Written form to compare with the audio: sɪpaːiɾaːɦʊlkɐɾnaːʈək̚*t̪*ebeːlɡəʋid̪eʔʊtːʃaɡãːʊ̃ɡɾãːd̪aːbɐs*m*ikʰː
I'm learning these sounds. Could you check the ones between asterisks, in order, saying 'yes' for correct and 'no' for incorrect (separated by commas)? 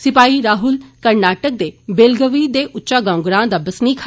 no, no